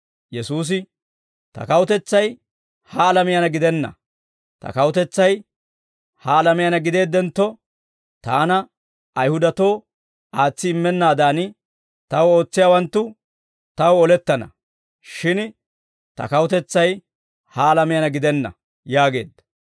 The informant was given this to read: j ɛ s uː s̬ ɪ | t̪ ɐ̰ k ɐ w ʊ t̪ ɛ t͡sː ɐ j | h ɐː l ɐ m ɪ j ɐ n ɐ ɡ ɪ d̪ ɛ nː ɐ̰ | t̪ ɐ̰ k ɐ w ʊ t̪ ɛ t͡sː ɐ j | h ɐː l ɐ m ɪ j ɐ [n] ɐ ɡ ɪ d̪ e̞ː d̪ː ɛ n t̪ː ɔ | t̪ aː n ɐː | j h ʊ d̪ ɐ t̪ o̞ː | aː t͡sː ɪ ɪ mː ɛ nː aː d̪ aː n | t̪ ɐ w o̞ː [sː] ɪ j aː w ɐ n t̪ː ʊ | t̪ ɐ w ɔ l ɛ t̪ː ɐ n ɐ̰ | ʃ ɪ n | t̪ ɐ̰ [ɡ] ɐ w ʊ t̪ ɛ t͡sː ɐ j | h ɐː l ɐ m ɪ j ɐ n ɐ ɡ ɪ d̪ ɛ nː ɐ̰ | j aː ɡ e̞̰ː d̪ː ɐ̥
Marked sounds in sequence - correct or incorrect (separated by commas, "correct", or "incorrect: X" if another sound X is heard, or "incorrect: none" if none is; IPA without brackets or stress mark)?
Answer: correct, incorrect: t͡sː, incorrect: k